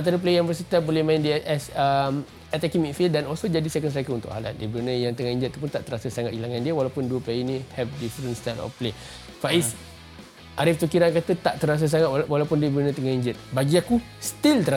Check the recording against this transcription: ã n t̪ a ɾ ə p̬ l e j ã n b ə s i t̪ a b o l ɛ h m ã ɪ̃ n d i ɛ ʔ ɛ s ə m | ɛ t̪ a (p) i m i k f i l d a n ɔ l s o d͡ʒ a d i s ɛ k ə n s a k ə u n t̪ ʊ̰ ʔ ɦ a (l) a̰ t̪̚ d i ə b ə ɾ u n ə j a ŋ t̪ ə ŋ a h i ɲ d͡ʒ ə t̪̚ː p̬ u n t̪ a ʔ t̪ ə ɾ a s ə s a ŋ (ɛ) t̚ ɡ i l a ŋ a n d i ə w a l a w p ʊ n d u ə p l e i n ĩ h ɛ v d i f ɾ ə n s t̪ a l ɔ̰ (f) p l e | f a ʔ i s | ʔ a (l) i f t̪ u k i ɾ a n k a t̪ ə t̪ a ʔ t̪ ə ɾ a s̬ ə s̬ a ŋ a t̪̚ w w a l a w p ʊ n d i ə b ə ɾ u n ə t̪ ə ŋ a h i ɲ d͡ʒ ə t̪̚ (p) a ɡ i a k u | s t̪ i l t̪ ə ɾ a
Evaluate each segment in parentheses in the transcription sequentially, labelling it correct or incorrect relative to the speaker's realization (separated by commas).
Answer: incorrect, correct, incorrect, correct, incorrect, incorrect